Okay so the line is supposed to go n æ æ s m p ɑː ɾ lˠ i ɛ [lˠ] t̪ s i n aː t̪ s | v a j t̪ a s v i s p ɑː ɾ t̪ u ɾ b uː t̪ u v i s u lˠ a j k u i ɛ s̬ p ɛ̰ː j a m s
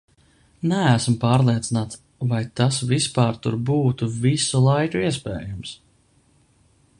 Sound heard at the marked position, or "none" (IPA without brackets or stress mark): none